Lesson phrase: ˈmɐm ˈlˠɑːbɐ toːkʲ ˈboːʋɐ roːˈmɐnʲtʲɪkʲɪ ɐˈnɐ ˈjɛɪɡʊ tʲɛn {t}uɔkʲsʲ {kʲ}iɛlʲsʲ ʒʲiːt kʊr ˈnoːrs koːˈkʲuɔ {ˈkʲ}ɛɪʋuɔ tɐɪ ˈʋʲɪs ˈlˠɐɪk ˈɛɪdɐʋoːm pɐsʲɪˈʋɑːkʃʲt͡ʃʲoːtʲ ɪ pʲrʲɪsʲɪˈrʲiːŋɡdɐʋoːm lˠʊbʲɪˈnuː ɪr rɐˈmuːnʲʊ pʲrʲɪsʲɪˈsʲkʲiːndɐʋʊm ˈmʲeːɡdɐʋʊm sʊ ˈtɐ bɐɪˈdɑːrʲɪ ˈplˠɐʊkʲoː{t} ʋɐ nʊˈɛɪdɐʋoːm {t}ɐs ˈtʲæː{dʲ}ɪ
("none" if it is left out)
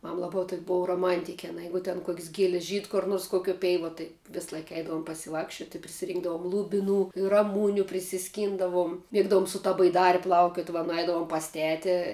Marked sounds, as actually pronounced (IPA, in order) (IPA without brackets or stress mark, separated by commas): k, ɡʲ, pʲ, t, p, tʲ